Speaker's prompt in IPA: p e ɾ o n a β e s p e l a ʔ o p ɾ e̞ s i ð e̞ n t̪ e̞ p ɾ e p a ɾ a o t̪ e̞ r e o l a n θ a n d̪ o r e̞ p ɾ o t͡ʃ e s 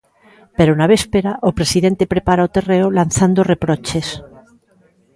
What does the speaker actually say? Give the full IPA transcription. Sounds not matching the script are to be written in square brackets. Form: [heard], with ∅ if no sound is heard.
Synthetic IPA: p e ɾ o n a β e s p e [ɾ] a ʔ o p ɾ e̞ s i ð e̞ n t̪ e̞ p ɾ e p a ɾ a o t̪ e̞ r e o l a n θ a n d̪ o r e̞ p ɾ o t͡ʃ e s